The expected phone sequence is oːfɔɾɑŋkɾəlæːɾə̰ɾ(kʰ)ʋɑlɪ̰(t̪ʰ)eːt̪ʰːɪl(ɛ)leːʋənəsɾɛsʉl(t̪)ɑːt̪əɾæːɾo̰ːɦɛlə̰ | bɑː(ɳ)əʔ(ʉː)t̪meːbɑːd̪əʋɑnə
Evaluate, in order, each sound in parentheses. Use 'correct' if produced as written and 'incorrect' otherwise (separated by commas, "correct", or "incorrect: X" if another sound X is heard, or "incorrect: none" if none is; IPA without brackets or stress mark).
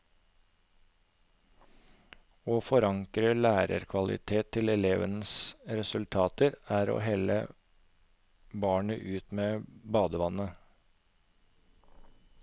correct, correct, correct, incorrect: t̪ʰ, correct, correct